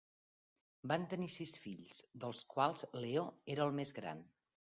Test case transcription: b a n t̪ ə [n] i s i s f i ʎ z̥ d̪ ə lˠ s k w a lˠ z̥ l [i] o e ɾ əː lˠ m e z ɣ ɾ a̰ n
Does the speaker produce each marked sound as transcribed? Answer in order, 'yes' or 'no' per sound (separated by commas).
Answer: yes, no